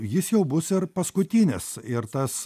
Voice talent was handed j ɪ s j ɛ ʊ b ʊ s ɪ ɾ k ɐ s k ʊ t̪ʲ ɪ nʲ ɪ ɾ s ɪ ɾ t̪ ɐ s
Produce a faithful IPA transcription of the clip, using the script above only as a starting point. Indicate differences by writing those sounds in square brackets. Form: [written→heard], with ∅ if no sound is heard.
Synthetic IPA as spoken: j ɪ s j ɛ ʊ b ʊ s ɪ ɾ [k→p] ɐ s k ʊ t̪ʲ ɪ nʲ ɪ [ɾ→∅] s ɪ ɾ t̪ ɐ s